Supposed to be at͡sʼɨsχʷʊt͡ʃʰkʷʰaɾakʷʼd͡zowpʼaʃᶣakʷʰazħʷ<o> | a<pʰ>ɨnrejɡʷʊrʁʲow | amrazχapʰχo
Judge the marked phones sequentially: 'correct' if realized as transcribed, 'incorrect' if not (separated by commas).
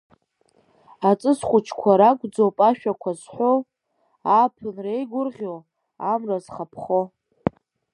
correct, correct